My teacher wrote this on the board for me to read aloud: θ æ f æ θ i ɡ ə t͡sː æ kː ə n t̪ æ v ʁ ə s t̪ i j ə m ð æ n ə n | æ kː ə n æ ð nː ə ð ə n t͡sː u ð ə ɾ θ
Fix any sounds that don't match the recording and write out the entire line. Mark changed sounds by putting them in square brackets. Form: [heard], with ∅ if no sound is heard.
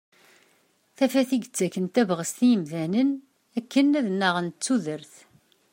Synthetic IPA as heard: θ æ f æ θ i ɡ ə t͡sː æ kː ə n t̪ æ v ʁ ə s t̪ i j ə m ð æ n ə n | æ kː ə n æ ð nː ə [ʁ] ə n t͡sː u ð ə ɾ θ